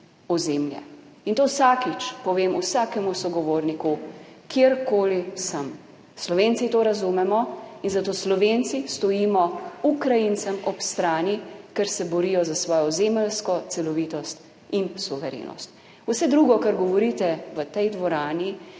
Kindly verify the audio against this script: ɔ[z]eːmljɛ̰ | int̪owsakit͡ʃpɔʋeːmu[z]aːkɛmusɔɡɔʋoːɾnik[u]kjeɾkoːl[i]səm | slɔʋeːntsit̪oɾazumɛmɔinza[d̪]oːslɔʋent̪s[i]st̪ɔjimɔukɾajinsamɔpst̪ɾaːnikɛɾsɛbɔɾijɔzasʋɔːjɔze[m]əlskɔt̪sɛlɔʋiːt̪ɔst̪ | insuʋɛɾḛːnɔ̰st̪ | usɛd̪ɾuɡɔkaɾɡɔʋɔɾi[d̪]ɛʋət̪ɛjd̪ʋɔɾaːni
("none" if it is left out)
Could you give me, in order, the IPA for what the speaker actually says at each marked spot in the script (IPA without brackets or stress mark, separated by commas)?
z, s, u, i, t̪, i, m, t̪